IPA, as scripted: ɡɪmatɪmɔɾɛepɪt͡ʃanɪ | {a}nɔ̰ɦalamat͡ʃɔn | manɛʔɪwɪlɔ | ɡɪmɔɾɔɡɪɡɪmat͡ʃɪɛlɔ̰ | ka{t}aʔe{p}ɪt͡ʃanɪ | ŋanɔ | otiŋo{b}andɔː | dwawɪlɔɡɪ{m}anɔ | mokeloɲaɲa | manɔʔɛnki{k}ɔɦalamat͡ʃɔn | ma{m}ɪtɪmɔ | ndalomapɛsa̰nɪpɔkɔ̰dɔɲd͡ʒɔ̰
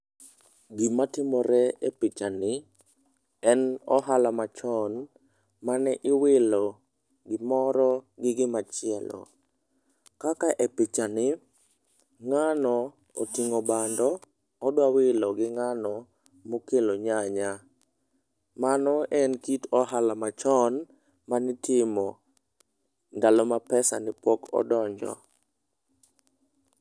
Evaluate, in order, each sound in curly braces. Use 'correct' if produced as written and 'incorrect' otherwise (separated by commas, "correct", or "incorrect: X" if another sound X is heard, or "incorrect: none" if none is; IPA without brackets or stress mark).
incorrect: ɛ, incorrect: k, correct, correct, incorrect: ŋ, incorrect: t, incorrect: n